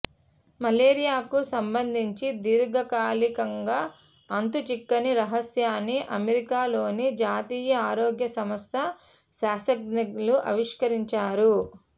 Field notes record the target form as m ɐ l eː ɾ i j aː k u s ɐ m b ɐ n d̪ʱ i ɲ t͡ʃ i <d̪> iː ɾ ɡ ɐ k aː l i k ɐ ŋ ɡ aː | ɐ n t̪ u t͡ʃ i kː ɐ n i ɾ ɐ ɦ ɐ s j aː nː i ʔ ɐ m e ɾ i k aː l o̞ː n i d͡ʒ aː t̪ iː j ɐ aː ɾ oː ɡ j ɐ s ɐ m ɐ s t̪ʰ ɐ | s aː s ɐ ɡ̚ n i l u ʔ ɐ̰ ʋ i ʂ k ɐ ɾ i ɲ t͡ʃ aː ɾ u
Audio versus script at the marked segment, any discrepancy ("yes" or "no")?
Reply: no